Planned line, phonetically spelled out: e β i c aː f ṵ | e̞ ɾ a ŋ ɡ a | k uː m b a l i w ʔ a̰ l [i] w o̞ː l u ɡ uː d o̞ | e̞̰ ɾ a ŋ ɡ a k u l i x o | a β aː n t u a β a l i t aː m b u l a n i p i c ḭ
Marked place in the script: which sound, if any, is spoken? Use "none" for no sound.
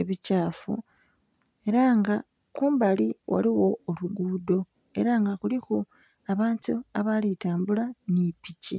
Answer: i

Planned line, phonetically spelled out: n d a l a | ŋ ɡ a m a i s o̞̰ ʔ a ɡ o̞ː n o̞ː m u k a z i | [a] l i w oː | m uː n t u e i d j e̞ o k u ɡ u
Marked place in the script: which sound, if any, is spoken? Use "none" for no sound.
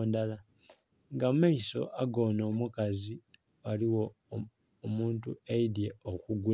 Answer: a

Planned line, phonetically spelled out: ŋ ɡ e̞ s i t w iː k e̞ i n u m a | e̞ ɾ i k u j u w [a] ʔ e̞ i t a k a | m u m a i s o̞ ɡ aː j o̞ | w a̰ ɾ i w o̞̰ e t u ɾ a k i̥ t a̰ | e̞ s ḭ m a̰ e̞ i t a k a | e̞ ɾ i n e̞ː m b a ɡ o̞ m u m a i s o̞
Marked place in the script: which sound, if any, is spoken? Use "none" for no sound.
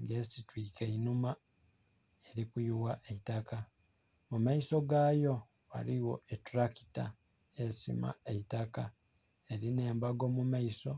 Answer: a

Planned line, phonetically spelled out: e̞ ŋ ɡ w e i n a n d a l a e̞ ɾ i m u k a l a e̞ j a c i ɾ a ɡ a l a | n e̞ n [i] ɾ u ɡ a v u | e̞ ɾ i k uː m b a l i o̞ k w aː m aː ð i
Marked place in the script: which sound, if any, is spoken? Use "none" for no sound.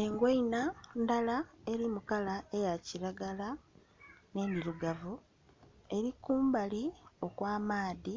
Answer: i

